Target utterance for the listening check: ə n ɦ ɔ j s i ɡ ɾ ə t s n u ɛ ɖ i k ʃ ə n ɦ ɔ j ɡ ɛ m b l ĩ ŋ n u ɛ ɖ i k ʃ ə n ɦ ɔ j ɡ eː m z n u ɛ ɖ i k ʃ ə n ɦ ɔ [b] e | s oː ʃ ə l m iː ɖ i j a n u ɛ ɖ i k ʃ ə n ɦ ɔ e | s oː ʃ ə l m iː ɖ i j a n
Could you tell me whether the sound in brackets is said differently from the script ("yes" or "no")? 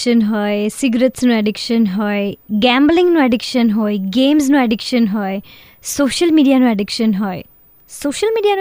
yes